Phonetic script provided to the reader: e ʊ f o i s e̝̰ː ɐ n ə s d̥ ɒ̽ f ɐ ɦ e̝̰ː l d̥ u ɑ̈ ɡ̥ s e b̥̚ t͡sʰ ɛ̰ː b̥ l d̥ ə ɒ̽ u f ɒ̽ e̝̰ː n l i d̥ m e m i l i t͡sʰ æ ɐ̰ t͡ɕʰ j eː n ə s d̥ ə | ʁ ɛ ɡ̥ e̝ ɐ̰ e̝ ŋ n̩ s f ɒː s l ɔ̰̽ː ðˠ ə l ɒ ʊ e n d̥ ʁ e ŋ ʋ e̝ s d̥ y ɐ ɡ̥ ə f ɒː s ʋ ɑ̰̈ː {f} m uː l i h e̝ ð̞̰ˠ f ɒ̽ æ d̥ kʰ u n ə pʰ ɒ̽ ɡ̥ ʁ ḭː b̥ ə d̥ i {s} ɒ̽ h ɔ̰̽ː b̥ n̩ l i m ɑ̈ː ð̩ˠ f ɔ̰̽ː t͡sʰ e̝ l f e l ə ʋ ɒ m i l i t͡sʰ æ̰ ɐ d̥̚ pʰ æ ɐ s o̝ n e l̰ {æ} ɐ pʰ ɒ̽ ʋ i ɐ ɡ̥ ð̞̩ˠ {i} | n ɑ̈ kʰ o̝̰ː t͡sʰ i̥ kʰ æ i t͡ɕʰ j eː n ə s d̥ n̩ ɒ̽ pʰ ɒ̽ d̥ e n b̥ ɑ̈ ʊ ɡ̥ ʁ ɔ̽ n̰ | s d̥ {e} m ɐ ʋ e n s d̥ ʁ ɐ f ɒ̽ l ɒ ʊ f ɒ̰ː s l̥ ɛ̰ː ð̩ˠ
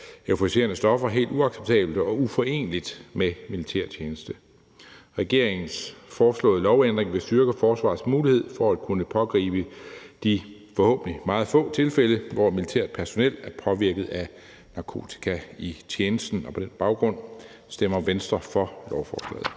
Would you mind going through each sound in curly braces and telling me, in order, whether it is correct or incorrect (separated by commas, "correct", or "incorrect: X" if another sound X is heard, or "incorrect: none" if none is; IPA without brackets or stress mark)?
incorrect: s, incorrect: f, correct, incorrect: æ, correct